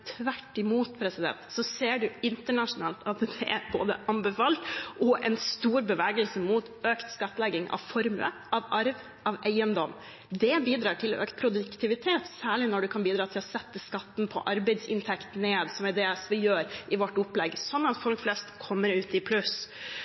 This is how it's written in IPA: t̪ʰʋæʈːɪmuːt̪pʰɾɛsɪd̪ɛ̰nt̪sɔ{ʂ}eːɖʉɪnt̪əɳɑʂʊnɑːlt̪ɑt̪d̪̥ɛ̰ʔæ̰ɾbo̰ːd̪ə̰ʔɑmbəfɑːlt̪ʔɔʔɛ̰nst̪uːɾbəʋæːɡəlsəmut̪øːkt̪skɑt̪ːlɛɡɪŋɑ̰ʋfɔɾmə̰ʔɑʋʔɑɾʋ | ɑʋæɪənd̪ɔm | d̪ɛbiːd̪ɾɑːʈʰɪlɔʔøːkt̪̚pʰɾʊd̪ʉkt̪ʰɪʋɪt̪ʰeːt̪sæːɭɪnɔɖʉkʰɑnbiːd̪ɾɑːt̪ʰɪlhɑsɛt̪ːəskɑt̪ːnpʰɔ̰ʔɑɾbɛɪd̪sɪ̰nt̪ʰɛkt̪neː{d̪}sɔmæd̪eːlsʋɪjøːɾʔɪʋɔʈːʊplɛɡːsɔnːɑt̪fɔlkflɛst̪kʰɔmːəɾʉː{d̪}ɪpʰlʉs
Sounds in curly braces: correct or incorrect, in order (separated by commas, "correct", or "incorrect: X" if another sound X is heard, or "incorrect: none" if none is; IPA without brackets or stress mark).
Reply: incorrect: s, correct, incorrect: t̪